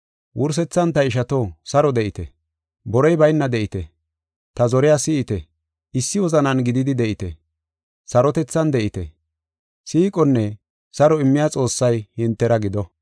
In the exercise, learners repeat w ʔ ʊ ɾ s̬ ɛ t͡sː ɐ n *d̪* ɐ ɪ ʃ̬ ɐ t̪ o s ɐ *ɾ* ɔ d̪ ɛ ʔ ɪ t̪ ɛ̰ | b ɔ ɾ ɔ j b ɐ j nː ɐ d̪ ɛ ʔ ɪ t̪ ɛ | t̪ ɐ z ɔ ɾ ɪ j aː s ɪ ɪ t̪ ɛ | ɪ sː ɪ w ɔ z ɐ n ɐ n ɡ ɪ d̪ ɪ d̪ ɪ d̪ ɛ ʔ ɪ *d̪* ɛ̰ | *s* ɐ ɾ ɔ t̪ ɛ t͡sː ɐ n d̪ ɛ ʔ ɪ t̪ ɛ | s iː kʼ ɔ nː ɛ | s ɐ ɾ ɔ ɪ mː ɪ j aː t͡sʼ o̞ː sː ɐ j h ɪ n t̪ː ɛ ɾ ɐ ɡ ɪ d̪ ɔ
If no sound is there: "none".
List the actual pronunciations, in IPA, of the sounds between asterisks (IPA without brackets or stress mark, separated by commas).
t̪, ɾ, t̪, s